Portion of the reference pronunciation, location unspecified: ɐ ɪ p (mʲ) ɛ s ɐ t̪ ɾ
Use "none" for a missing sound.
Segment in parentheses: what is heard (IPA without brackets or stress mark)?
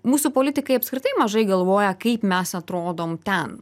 mʲ